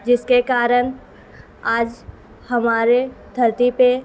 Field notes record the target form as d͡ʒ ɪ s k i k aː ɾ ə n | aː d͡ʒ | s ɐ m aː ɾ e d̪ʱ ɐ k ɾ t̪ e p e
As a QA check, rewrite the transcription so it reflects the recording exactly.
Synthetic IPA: d͡ʒ ɪ s k e k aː ɾ ə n | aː d͡ʒ | h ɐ m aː ɾ e d̪ʱ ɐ ɾ t̪ i p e